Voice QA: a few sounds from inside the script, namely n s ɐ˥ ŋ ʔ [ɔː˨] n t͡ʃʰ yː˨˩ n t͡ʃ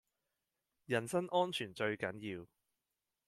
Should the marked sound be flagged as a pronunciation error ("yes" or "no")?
yes